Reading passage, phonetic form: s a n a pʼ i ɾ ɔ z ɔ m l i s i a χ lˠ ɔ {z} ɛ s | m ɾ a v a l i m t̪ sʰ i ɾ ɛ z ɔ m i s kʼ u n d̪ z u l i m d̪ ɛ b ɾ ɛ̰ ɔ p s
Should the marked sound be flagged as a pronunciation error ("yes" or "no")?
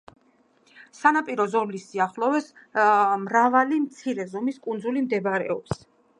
yes